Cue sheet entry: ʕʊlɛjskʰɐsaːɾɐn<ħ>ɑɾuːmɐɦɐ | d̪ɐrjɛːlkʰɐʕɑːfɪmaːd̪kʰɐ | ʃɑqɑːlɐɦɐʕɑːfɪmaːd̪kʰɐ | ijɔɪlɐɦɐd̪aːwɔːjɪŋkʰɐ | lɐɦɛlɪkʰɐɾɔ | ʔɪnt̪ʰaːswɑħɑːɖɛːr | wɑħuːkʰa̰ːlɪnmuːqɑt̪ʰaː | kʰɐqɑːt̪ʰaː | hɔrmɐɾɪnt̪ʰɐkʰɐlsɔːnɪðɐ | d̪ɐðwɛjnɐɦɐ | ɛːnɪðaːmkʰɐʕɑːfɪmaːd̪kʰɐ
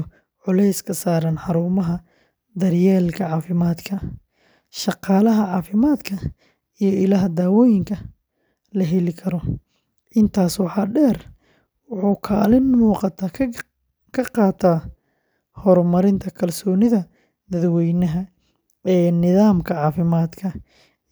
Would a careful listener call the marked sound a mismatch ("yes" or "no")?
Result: no